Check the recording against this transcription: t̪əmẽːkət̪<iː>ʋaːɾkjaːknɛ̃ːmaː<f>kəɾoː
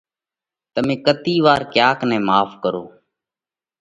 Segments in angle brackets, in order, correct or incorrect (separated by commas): correct, correct